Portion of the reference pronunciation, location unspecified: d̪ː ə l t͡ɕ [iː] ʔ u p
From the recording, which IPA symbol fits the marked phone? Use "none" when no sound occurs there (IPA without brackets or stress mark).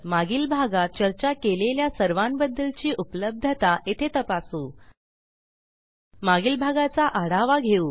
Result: iː